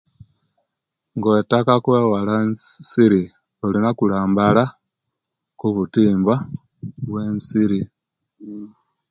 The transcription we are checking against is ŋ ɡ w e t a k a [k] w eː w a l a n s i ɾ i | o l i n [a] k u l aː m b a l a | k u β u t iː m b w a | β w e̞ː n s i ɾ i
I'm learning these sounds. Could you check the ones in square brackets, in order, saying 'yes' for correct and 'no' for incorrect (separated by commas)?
yes, yes